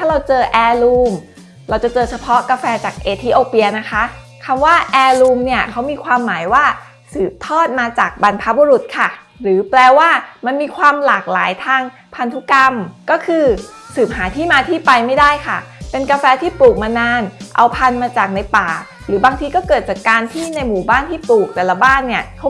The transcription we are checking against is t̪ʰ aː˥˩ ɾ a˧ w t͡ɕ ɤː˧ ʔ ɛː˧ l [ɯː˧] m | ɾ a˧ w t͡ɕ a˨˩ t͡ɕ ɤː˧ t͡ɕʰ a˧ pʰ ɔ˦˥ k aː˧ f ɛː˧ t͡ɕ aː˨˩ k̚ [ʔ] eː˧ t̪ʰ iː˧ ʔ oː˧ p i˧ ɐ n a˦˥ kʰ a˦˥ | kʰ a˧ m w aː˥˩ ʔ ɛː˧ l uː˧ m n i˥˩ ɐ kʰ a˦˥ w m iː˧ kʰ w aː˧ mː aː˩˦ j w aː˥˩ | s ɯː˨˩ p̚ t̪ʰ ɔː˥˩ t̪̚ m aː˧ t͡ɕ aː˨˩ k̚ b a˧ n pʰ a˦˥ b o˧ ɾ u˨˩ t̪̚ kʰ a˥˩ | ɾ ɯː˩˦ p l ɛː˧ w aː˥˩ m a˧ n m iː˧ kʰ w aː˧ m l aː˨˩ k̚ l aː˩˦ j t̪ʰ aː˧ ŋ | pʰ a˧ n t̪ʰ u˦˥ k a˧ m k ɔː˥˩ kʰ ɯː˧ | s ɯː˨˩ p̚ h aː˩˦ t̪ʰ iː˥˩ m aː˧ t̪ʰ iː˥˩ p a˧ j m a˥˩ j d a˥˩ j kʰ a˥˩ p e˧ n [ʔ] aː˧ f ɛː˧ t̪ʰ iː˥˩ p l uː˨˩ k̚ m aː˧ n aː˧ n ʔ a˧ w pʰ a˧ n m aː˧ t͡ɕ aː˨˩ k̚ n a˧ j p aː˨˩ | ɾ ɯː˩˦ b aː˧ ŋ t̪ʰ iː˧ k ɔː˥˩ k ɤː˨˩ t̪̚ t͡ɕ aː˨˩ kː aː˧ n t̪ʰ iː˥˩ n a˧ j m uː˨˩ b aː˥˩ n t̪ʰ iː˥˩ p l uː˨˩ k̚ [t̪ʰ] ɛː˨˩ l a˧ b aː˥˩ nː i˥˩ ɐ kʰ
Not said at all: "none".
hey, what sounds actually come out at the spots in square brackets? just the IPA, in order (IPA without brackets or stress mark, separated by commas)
uː˧, ʔ, k, t̪